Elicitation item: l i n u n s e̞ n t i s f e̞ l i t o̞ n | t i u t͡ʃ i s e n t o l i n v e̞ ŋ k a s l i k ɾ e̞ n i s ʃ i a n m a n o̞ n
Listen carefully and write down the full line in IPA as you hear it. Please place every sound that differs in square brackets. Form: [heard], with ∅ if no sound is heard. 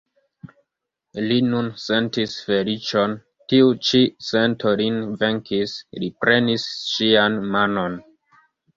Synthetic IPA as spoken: l i n u n s e̞ n t i s f e̞ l i [t͡ʃ] o̞ n | t i u t͡ʃ i s e n t o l i n v e̞ ŋ k [i] s l i [p] ɾ e̞ n i s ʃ i a n m a n o̞ n